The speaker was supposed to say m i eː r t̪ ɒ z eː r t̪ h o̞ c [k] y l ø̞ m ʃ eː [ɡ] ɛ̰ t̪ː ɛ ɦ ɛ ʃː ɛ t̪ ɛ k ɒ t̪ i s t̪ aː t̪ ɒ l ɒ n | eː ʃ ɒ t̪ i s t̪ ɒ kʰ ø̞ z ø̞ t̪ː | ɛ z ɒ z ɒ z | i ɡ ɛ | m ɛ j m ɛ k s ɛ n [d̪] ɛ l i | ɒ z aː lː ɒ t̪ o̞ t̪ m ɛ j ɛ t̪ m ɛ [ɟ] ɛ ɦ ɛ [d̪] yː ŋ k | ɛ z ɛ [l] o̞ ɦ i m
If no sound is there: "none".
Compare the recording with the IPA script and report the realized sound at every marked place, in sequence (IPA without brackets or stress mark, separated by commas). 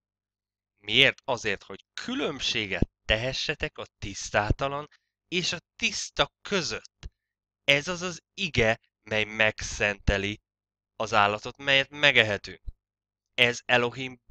kʰ, ɡ, t̪, ɡ, t̪, l